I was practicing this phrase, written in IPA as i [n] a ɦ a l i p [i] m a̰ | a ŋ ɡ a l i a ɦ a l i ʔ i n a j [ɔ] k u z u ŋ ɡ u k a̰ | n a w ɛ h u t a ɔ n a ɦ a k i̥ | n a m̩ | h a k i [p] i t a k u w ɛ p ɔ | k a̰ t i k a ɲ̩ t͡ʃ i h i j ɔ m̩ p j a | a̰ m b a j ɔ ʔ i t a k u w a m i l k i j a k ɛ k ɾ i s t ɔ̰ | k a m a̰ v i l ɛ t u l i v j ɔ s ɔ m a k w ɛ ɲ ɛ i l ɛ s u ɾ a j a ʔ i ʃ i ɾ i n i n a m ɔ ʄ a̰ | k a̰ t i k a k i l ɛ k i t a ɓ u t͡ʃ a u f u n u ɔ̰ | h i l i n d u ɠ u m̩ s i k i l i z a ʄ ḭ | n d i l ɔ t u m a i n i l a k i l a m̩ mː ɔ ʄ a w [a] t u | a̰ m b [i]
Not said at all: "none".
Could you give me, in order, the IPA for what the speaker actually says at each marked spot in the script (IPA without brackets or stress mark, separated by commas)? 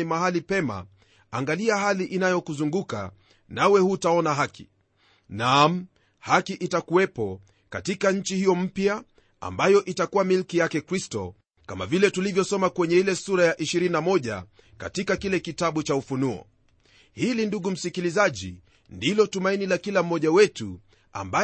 m, ɛ, ɔ, ʔ, ɛ, a